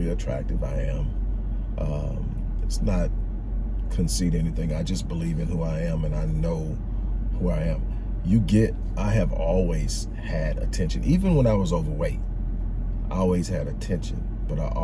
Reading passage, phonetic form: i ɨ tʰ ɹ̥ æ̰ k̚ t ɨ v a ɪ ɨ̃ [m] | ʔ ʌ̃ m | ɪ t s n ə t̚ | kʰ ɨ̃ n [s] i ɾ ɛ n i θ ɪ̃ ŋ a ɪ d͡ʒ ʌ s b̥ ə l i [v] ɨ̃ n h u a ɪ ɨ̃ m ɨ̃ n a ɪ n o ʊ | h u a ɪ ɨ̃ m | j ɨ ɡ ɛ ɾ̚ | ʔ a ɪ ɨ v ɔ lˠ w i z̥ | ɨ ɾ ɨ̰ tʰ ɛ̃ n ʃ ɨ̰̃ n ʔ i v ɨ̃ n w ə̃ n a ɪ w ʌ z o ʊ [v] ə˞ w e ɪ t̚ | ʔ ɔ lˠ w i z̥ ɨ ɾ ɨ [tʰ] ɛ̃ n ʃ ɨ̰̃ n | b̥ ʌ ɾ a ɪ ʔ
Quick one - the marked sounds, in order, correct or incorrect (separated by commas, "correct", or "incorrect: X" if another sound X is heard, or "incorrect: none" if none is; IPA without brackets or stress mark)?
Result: correct, correct, correct, correct, correct